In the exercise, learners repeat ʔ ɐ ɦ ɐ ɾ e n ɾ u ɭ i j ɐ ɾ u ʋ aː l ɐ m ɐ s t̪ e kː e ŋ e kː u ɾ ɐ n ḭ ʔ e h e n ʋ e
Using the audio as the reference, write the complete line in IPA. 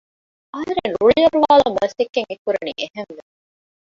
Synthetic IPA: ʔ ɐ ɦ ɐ ɾ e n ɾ u ɭ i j ɐ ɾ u ʋ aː l ɐ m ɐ s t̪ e kː e ŋ e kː u ɾ ɐ n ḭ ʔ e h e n ʋ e